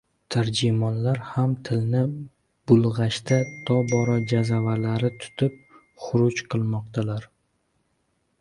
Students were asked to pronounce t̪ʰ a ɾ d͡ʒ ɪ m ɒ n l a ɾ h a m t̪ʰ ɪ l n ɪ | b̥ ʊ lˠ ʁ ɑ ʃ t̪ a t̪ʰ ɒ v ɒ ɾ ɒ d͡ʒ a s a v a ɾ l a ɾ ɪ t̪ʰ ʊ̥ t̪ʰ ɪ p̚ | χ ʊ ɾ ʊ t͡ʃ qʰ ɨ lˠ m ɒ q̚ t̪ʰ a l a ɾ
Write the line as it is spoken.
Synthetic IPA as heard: t̪ʰ a ɾ d͡ʒ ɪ m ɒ n l a ɾ h a m t̪ʰ ɪ l n ɪ | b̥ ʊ lˠ ʁ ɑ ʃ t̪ a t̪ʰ ɒ b ɒ ɾ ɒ d͡ʒ a z a v a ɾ l a ɾ ɪ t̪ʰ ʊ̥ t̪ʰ ɪ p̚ | χ ʊ ɾ ʊ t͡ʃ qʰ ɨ lˠ m ɒ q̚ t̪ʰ a l a ɾ